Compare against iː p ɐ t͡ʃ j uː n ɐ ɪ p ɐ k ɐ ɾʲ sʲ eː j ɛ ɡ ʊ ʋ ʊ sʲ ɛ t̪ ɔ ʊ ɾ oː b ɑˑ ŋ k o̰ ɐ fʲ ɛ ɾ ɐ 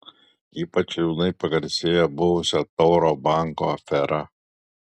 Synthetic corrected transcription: iː p ɐ t͡ʃ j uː n ɐ ɪ p ɐ ɡ ɐ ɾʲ sʲ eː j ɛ b ʊ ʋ ʊ sʲ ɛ t̪ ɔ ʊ ɾ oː b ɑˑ ŋ k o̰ ɐ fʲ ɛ ɾ ɐ